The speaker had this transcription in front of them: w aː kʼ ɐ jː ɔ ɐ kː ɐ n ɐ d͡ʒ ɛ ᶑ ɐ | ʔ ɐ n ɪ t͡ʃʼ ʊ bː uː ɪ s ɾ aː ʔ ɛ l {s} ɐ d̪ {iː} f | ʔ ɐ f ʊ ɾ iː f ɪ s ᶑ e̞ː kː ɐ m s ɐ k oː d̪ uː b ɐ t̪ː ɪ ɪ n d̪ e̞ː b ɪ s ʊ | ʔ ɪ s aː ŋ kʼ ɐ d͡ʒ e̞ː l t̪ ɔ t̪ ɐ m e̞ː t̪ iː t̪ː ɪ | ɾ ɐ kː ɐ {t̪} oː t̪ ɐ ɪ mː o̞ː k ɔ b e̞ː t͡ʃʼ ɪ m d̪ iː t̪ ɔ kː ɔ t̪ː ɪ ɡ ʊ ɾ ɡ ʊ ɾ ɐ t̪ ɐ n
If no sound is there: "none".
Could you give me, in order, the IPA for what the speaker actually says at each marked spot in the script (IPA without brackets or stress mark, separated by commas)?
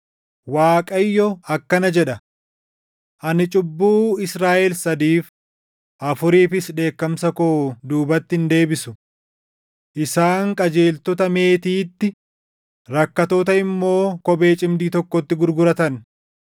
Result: s, iː, t̪